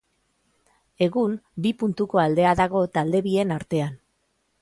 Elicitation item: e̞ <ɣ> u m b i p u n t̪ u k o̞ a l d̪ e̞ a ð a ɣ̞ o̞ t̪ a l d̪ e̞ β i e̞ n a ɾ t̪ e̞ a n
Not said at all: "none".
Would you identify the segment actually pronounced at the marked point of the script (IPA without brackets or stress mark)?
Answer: ɣ